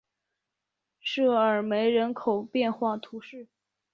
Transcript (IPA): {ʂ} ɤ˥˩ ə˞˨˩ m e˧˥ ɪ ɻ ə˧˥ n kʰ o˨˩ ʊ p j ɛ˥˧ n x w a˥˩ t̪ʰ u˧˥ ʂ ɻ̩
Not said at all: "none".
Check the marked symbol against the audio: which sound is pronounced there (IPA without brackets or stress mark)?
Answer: ʂ